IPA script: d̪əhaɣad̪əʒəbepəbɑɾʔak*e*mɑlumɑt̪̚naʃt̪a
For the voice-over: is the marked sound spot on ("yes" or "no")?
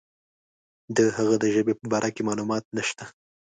yes